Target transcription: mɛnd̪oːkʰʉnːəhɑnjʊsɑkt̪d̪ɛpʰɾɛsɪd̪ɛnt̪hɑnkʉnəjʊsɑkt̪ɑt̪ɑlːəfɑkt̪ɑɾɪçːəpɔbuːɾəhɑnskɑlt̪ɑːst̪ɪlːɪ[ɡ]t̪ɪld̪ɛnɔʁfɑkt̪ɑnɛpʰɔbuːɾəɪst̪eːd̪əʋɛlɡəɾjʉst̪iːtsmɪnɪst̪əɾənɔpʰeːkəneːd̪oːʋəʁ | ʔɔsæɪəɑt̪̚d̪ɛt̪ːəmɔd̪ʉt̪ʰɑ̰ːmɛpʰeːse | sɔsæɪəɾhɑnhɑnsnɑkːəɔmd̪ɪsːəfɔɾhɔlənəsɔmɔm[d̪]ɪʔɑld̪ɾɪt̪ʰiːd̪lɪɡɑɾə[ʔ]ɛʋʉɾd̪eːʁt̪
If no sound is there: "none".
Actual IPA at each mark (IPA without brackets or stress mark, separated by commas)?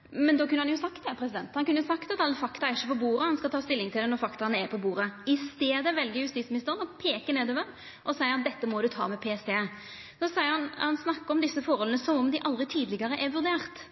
ŋ, d̪, ʔ